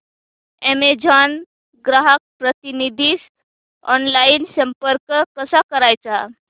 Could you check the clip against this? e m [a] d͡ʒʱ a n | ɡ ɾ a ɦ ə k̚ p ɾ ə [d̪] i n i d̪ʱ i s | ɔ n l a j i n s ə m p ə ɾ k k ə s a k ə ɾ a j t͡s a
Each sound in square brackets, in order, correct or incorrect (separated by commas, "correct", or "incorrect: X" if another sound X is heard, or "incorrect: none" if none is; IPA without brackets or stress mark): incorrect: e, incorrect: t̪